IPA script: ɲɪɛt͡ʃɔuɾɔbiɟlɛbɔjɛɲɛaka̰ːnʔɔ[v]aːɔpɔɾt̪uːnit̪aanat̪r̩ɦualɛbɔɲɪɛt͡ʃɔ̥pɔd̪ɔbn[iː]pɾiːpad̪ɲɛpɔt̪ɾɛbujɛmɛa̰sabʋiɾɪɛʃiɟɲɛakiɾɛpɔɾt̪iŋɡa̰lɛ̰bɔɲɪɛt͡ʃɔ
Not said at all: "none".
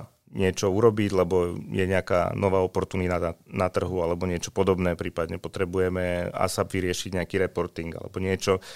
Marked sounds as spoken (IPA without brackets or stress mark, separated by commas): ʋ, ɛː